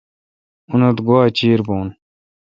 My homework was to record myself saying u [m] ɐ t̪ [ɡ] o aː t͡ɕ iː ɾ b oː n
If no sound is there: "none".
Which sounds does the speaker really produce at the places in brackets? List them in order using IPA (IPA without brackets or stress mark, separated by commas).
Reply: n, ɡ